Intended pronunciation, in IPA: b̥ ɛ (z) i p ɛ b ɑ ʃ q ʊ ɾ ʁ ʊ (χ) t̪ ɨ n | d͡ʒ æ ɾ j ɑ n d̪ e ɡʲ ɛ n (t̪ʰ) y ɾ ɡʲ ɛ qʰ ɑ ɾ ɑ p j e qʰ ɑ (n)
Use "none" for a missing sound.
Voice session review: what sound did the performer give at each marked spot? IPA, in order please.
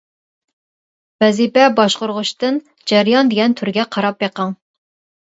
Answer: z, ʃ, t̪ʰ, ŋ

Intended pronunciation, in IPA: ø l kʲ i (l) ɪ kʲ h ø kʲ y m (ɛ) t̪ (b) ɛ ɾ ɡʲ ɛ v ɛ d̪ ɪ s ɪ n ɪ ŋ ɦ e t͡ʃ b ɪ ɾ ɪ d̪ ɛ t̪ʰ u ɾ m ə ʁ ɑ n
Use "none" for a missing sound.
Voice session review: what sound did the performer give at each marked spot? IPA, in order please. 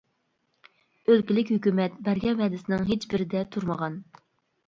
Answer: l, ɛ, b

